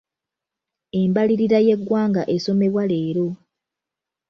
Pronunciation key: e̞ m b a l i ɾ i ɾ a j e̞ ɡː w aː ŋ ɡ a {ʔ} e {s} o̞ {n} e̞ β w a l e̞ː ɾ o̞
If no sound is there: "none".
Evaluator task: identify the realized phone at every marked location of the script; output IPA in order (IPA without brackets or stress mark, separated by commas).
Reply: ʔ, s, m